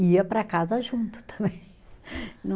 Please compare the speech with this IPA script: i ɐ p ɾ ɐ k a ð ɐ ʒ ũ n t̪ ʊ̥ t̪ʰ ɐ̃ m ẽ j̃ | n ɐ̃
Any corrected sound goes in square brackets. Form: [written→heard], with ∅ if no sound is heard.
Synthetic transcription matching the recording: i ɐ p ɾ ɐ k a [ð→z] ɐ ʒ ũ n t̪ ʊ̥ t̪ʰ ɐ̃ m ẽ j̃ | n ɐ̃